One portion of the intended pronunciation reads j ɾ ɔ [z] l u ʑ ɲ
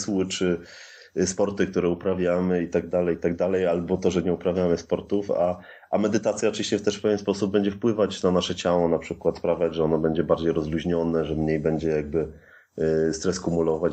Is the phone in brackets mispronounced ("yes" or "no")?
no